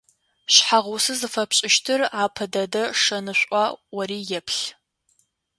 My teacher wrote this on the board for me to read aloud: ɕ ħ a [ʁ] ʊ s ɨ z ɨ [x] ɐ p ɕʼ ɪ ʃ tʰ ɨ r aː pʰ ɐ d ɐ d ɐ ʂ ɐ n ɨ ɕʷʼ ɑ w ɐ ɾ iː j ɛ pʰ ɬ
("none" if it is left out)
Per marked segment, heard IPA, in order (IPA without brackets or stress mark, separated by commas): ʁ, f